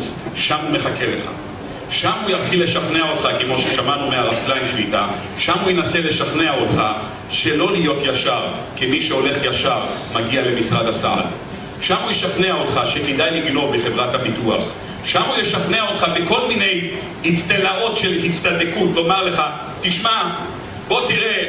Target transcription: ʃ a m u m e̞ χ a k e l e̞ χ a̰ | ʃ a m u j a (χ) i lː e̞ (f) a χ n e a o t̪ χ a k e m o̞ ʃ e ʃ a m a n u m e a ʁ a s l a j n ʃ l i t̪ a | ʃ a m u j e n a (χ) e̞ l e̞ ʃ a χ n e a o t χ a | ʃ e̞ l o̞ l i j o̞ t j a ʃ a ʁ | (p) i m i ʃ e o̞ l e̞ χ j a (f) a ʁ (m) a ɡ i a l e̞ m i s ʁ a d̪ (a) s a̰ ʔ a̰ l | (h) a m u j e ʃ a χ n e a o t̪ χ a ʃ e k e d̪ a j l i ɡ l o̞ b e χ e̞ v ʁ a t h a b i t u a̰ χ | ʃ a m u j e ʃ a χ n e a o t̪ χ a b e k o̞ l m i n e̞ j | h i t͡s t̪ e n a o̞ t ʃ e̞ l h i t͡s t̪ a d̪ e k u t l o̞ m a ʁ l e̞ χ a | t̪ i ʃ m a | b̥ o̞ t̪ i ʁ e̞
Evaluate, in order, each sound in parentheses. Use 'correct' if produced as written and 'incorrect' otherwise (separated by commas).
correct, incorrect, incorrect, incorrect, incorrect, correct, correct, incorrect